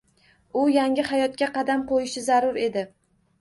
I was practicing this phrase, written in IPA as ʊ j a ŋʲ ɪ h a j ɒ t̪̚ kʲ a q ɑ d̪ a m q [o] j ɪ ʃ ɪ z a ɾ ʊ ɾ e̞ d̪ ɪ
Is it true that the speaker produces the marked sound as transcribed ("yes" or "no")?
yes